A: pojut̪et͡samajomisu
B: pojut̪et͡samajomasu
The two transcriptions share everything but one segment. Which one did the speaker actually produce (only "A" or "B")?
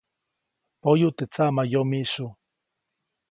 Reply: A